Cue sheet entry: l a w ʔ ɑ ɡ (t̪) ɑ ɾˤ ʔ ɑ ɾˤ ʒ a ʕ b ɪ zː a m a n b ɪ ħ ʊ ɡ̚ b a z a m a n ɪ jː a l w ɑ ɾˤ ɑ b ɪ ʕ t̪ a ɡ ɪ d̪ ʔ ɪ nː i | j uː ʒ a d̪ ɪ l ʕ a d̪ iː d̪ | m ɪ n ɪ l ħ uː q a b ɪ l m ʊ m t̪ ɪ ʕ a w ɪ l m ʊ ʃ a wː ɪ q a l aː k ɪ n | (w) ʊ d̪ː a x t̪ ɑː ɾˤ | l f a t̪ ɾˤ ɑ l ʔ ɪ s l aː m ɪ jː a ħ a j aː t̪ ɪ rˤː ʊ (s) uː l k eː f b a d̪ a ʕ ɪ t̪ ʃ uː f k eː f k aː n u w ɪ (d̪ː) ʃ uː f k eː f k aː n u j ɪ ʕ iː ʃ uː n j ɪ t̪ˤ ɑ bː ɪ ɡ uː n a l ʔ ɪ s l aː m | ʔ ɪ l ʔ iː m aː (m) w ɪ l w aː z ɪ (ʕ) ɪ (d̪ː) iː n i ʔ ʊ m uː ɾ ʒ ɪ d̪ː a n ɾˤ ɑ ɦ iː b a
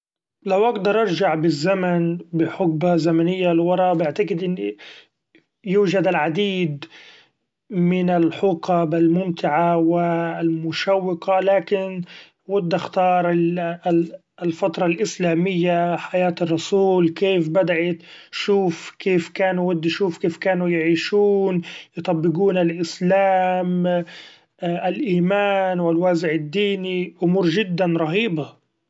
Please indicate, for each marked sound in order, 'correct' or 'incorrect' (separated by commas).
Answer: incorrect, correct, correct, correct, incorrect, correct, correct